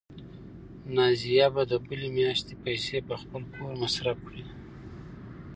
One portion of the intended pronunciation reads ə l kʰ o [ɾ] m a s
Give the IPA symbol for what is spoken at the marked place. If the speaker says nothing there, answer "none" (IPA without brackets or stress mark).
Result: ɾ